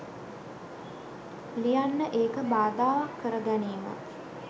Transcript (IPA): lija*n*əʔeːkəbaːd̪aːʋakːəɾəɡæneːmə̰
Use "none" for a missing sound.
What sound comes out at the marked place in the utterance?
nː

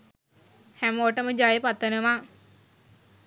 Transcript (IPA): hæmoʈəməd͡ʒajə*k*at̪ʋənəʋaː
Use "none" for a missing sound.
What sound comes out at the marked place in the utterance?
p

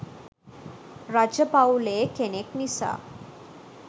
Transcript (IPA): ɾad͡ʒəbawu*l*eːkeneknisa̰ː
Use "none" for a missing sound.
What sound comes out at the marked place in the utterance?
l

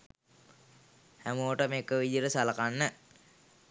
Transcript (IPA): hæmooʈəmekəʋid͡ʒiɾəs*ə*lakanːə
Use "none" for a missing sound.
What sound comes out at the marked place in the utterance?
a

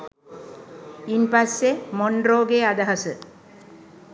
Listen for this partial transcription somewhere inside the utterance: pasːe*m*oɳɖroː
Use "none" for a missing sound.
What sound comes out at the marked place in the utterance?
m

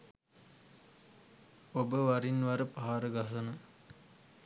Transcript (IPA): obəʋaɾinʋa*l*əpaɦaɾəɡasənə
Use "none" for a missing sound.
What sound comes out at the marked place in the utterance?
ɾ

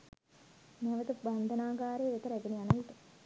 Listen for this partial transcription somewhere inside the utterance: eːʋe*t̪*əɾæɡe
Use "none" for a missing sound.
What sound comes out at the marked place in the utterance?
t̪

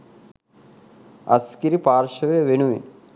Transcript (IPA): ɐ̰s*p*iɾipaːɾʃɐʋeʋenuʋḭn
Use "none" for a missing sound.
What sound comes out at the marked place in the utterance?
k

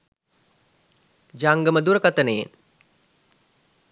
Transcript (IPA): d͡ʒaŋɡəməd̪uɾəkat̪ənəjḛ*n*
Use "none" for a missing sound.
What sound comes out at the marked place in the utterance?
n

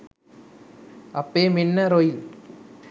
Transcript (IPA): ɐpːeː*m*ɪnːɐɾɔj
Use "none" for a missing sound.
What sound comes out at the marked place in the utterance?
m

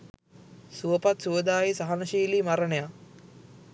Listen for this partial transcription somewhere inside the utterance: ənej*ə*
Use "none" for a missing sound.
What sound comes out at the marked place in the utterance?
a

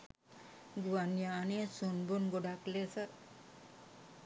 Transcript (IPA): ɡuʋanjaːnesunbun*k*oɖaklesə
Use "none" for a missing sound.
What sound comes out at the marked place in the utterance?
ɡ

